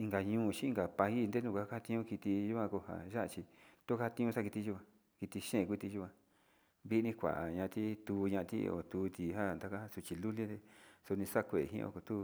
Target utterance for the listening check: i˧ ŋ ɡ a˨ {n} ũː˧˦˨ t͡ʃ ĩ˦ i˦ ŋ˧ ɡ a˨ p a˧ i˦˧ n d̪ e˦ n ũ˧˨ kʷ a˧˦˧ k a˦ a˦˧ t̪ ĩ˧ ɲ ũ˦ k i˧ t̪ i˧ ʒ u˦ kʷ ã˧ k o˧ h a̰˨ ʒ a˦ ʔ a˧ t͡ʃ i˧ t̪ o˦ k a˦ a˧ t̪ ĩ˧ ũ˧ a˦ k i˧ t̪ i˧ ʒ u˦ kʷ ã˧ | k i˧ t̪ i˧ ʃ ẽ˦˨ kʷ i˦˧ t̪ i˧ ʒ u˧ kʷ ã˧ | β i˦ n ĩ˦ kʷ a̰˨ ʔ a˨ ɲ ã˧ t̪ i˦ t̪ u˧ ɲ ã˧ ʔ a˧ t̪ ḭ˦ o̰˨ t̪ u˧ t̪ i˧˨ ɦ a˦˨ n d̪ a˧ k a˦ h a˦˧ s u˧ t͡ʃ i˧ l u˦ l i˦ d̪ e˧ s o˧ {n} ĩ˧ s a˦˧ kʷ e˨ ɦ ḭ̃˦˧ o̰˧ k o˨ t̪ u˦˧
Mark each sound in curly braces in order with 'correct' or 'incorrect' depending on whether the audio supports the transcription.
incorrect: ɲ, correct

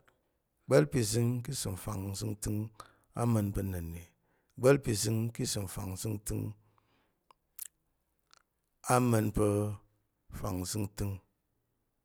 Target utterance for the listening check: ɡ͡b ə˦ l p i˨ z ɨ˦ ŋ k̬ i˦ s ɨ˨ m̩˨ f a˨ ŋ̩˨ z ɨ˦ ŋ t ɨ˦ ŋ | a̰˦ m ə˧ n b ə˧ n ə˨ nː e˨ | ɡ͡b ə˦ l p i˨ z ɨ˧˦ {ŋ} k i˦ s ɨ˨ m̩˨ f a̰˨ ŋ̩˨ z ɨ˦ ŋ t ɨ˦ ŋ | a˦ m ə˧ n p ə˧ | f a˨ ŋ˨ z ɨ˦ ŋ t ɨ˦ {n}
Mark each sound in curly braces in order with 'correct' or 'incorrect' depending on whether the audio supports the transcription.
correct, incorrect: ŋ

